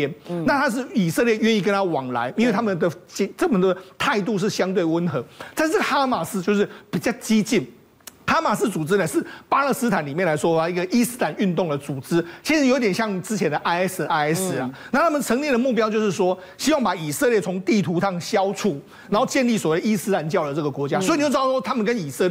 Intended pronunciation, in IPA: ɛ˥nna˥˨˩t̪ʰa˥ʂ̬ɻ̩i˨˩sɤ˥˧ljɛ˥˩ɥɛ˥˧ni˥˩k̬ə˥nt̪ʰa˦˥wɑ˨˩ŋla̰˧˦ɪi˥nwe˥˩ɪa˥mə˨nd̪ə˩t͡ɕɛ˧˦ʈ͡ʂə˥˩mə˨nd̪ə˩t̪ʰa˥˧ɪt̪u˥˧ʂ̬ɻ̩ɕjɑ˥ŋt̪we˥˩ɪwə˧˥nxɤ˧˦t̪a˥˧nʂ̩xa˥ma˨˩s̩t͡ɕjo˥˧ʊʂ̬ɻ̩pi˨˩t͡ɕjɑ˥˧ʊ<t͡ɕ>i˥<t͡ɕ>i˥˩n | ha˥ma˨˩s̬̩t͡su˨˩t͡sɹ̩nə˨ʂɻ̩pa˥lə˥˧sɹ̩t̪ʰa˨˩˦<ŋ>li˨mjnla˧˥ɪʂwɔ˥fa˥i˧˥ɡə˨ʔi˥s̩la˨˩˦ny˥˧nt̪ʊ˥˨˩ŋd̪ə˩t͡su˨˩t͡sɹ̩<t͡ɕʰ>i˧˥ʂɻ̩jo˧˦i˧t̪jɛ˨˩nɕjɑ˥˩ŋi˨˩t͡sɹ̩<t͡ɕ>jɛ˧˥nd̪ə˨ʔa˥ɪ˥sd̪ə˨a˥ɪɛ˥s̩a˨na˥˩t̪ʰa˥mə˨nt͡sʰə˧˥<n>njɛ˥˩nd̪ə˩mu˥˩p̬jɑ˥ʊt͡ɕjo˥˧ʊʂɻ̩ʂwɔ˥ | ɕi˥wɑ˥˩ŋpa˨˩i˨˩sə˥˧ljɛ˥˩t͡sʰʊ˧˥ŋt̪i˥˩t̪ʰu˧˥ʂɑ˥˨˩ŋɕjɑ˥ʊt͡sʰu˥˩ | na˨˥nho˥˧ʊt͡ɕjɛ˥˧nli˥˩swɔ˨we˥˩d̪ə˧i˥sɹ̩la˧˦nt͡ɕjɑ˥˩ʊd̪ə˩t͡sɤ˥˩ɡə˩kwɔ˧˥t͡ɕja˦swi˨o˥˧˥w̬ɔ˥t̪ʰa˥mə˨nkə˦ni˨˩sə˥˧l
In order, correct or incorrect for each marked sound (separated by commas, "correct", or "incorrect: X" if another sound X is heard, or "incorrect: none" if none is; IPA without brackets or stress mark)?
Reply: correct, correct, incorrect: n, correct, incorrect: t͡ɕʰ, incorrect: ŋ